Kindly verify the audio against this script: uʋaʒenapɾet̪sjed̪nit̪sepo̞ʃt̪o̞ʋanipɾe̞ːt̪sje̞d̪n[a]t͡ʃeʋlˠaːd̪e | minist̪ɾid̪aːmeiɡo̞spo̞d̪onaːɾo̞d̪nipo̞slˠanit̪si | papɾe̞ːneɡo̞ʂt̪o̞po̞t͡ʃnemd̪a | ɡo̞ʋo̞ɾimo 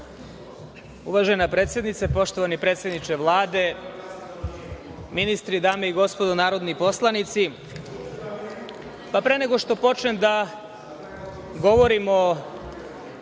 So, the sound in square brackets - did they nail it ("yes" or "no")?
no